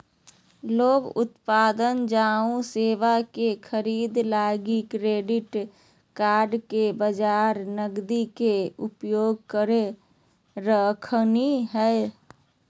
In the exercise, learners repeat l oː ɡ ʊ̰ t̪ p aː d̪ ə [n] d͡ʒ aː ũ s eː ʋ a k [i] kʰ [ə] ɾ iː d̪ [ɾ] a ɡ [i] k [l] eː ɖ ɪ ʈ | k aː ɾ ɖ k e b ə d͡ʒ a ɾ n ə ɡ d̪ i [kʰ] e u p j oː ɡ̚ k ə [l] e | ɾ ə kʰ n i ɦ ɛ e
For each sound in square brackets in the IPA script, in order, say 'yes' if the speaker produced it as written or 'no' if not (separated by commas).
yes, no, yes, no, yes, no, no, no